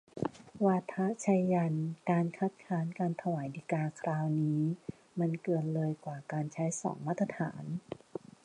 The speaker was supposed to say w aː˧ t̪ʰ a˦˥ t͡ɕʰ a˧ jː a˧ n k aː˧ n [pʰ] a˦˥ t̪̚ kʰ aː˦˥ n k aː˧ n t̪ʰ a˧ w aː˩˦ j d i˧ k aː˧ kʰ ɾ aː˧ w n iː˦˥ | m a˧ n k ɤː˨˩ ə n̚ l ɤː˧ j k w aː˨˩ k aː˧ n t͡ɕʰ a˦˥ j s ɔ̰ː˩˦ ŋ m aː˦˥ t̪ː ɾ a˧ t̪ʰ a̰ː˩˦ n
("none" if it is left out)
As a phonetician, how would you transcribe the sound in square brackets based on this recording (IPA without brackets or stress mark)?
kʰ